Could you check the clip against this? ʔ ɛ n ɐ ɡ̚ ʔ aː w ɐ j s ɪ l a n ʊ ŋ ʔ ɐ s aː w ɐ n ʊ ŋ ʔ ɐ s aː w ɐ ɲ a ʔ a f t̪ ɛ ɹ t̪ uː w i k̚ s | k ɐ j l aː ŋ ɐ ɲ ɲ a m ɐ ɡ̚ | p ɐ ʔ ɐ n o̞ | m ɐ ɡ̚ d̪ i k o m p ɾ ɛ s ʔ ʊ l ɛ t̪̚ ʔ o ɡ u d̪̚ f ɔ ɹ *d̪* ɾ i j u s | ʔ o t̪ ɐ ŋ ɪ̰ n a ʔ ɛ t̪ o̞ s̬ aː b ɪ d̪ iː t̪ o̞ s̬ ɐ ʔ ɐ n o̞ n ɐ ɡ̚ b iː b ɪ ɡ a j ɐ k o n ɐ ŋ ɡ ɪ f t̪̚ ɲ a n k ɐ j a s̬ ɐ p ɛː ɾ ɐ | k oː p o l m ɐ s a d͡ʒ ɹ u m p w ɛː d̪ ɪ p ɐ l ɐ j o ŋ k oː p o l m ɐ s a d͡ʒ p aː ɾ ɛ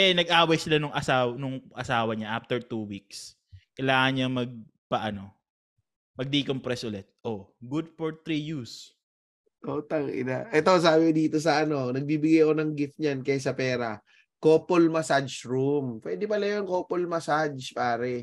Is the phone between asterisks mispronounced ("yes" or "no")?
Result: yes